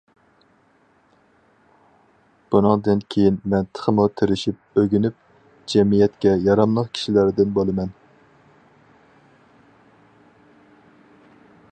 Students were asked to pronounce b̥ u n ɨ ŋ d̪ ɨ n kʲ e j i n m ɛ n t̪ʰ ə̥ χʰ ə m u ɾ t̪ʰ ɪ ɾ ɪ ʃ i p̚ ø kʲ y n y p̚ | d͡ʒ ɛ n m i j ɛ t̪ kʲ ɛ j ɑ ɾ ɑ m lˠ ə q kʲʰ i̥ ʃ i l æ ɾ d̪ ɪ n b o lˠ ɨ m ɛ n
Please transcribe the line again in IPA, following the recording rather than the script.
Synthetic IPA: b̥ u n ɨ ŋ d̪ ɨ n kʲʰ e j i n m ɛ n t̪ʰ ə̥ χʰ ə m u t̪ʰ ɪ ɾ ɪ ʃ i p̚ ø ɡʲ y n y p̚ | d͡ʒ ɛ m i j ɛ t̪ kʲ ɛ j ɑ ɾ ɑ m lˠ ə q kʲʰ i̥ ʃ i l æ ɾ d̪ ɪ n b o lˠ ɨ m ɛ n